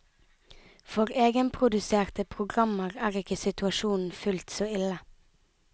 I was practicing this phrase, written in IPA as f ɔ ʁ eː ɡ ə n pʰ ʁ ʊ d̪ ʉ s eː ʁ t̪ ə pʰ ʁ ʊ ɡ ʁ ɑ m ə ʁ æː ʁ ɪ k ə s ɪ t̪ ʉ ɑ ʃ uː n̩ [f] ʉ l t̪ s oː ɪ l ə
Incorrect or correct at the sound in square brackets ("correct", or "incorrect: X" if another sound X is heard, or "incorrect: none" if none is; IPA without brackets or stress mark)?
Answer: correct